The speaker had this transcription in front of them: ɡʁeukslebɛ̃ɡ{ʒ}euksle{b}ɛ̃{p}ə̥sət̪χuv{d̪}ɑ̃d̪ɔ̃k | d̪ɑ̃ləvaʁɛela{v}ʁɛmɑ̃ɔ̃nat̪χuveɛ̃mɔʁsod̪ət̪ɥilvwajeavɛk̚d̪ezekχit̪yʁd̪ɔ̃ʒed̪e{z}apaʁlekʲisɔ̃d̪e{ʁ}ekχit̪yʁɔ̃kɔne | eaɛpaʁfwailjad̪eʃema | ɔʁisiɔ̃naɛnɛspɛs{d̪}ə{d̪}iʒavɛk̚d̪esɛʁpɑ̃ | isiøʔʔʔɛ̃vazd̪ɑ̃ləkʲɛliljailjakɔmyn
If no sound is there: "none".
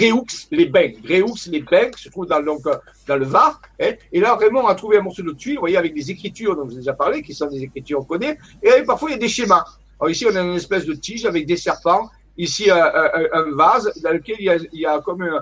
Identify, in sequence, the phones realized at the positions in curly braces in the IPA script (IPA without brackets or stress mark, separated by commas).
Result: ʁ, b, k, d̪, v, ʒ, z, d̪, t̪